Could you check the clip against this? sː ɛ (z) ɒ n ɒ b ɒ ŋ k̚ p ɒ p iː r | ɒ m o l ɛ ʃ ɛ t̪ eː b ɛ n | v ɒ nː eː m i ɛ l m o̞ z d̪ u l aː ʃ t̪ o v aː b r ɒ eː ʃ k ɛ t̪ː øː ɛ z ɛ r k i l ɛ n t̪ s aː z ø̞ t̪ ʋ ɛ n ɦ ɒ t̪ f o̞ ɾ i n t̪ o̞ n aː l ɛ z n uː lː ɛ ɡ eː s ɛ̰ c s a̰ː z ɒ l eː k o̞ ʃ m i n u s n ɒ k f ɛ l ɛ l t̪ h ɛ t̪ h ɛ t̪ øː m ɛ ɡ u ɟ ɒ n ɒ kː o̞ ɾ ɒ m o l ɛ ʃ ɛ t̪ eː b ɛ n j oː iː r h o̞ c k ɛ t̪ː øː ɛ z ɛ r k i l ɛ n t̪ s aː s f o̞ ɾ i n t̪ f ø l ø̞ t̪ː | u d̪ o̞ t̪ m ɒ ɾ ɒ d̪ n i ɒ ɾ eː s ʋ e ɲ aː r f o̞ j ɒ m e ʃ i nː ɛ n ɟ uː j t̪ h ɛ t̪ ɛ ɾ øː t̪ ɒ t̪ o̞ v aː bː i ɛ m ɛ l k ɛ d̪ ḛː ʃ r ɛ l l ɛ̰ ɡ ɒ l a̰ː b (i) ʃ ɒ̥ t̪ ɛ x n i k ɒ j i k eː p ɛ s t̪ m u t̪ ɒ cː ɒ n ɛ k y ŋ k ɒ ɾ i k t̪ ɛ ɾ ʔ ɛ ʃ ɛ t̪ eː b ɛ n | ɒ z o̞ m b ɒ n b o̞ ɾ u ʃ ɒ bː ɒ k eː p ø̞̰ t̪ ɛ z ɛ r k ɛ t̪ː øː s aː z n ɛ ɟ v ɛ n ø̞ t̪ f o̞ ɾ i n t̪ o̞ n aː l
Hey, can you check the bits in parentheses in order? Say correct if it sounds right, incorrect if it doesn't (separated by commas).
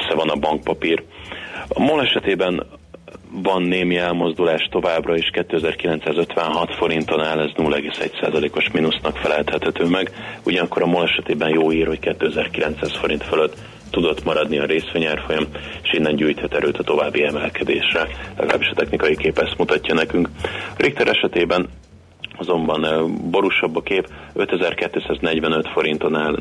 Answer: incorrect, correct